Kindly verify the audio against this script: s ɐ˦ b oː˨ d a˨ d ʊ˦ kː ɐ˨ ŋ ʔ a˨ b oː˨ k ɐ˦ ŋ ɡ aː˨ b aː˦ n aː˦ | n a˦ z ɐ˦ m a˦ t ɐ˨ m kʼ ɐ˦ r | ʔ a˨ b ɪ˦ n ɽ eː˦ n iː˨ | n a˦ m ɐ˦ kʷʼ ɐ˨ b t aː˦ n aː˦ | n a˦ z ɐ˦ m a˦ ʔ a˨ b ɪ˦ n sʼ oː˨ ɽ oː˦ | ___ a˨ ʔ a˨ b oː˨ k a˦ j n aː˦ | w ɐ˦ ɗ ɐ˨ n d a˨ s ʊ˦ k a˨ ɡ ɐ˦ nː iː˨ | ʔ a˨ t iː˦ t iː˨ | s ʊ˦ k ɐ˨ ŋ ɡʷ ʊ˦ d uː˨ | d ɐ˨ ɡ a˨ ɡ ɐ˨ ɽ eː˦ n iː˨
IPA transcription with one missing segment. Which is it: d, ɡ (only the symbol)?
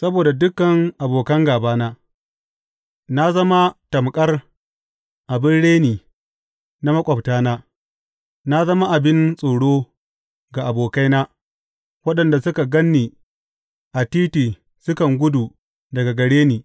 ɡ